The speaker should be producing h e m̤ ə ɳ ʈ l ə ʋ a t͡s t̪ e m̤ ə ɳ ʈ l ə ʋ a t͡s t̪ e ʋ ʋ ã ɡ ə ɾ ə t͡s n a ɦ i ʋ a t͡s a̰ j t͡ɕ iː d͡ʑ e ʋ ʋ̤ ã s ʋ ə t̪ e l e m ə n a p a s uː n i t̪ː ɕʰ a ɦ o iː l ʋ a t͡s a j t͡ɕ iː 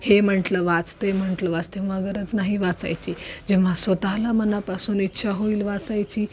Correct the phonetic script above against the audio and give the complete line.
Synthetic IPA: h e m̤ ə ɳ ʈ l ə ʋ a t͡s t̪ e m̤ ə ɳ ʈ l ə ʋ a t͡s t̪ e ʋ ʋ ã ɡ ə ɾ ə t͡s n a ɦ i ʋ a t͡s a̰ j t͡ɕ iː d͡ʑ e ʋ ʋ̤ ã s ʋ ə t̪ a l a m ə n a p a s uː n i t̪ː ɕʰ a ɦ o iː l ʋ a t͡s a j t͡ɕ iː